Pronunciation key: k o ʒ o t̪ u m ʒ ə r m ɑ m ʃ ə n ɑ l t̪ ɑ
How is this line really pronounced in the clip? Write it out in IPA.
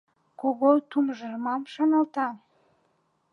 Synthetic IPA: k o ɣ o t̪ u m ʒ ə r m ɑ m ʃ ɑ n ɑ l t̪ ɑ